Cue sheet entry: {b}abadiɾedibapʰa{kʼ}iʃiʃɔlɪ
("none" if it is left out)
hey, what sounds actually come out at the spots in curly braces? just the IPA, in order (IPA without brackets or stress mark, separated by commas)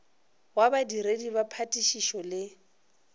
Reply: w, tʼ